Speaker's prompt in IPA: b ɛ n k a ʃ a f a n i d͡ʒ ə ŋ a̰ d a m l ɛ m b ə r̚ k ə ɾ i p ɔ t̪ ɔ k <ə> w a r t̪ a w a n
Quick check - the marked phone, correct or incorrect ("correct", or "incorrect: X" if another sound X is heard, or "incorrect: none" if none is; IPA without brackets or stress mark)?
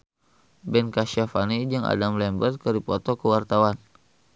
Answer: correct